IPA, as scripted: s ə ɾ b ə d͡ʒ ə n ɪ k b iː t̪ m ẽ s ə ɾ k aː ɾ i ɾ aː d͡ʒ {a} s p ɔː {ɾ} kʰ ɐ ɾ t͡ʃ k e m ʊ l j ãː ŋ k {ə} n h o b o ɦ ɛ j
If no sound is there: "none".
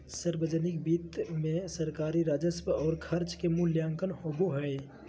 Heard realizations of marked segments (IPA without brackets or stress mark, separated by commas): ə, ɾ, ə